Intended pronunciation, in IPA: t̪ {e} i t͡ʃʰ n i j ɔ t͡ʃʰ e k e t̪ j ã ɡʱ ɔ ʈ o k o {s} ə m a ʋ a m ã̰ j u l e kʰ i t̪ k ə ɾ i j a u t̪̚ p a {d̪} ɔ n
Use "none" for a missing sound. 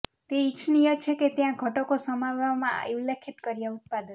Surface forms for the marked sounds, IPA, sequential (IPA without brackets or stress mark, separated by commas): e, s, d̪